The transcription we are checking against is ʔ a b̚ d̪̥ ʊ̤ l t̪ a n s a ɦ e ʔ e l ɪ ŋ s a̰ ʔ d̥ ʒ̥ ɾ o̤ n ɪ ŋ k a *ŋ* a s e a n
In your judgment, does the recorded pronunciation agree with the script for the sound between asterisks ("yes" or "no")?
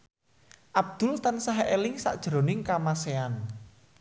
no